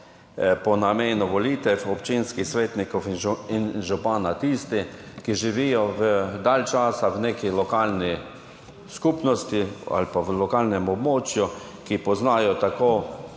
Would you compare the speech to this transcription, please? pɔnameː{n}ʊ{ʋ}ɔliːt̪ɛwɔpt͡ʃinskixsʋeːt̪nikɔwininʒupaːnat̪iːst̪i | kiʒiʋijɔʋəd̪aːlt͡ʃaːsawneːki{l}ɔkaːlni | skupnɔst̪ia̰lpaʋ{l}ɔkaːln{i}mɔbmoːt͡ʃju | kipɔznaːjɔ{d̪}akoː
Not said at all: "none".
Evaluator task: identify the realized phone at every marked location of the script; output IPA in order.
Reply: n, ʋ, l, l, ɛ, t̪

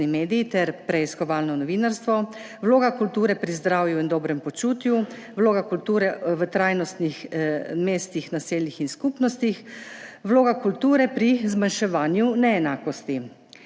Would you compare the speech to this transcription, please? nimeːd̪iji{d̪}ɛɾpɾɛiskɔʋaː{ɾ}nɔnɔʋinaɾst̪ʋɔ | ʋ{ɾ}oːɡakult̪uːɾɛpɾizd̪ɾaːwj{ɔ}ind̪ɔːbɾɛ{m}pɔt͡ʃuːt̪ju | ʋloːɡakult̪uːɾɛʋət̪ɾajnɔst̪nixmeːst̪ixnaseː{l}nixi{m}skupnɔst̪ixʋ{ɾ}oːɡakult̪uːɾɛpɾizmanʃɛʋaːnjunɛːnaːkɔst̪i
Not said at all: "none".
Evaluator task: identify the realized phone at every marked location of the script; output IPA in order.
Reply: t̪, l, l, u, m, l, n, l

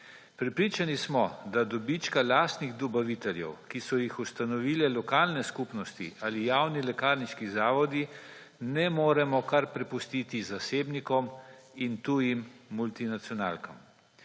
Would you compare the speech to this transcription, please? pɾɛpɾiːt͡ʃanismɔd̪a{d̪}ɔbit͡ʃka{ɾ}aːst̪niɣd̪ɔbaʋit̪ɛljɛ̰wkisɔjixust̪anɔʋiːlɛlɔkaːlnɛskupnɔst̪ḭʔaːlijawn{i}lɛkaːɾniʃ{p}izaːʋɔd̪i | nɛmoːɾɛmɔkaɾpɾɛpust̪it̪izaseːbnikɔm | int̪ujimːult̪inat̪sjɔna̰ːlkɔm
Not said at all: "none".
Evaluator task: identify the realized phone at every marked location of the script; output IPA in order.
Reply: d̪, l, i, k

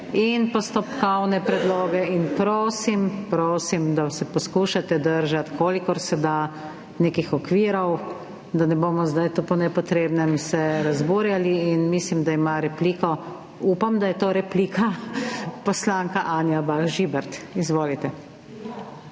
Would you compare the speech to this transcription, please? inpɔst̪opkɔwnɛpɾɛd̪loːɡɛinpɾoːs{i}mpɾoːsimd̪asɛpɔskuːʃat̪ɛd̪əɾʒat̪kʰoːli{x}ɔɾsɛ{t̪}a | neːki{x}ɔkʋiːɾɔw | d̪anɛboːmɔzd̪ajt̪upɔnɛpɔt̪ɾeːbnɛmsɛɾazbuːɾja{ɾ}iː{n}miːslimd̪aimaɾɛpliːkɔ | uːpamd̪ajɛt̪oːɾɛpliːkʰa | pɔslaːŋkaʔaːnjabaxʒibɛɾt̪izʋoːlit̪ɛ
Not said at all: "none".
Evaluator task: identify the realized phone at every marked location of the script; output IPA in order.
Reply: i, k, d̪, x, l, n

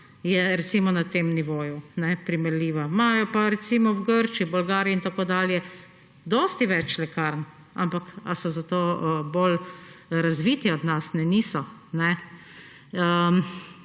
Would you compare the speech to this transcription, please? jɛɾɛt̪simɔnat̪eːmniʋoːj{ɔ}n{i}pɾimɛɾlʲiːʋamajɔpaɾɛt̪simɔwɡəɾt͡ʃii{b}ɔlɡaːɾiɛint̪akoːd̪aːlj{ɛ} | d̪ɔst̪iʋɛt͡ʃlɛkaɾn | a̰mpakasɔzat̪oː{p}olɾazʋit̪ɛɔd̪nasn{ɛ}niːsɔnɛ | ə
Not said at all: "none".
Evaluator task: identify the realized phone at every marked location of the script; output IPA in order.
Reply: u, ɛ, b, ɛ, b, ɛ

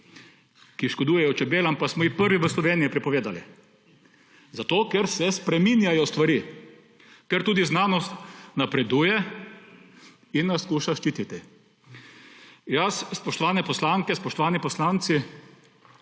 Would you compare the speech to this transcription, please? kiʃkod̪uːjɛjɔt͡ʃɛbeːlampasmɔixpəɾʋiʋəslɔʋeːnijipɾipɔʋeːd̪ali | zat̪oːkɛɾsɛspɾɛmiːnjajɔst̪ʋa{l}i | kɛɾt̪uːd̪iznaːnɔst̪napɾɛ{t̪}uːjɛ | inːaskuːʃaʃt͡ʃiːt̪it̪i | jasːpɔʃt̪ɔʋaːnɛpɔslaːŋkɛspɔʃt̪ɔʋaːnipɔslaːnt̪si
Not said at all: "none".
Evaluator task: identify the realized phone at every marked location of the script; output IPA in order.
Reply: ɾ, d̪

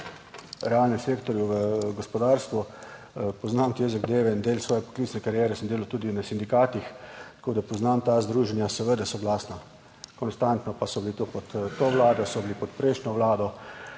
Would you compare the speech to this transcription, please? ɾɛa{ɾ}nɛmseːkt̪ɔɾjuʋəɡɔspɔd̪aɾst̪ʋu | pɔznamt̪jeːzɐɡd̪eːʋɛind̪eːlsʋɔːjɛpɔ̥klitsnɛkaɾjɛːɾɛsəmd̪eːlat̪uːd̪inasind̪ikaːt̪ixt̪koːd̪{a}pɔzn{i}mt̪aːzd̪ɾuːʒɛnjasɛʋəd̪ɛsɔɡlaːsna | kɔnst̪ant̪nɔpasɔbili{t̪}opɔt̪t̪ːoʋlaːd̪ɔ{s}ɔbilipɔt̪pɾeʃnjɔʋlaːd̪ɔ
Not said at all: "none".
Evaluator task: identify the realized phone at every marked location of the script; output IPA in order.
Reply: l, a, a, t̪, s

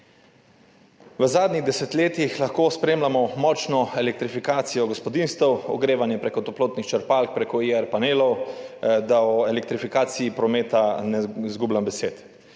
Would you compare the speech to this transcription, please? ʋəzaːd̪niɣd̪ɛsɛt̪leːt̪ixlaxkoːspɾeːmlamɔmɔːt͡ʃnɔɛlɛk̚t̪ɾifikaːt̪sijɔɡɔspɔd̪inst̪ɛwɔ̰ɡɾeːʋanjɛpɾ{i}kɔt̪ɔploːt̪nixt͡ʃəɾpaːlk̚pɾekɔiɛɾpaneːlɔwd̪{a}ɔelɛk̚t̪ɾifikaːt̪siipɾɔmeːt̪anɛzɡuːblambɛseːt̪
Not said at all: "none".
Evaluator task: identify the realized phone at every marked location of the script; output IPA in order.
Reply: e, a

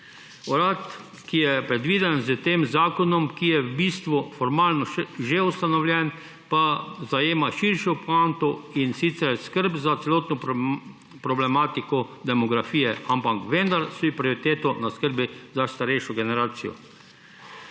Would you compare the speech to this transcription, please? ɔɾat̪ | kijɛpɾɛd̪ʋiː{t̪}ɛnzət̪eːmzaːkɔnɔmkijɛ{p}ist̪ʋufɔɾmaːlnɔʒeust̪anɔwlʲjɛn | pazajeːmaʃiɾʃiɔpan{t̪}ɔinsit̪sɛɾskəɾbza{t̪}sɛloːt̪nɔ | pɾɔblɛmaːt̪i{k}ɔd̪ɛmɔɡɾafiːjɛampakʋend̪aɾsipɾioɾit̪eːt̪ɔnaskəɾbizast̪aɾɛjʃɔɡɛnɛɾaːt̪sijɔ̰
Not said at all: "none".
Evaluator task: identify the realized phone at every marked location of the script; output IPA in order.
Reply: d̪, b, t̪, t̪, k

